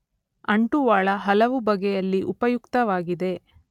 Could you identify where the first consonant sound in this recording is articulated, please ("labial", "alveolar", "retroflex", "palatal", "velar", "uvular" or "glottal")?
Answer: retroflex